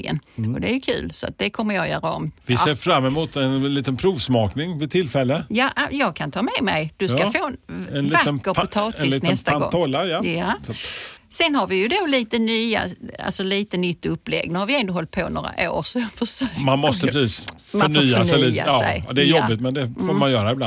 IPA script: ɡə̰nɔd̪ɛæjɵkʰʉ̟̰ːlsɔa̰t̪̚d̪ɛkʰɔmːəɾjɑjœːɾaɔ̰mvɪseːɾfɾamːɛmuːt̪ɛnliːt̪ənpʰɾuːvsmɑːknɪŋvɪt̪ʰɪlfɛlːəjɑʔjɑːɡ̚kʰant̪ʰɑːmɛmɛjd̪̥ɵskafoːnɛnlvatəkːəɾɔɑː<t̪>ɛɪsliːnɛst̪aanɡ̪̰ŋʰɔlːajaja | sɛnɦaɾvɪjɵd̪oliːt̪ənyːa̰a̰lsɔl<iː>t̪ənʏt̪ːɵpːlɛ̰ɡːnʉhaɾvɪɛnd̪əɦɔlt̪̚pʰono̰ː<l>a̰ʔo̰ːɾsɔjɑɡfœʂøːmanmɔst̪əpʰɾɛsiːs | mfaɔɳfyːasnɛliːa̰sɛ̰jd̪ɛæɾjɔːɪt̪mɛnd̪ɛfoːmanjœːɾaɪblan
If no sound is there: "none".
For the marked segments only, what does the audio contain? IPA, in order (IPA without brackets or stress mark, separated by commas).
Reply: t̪, iː, ɾ